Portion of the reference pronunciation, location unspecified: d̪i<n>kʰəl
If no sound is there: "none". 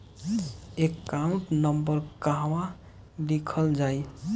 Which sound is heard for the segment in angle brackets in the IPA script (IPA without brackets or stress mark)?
none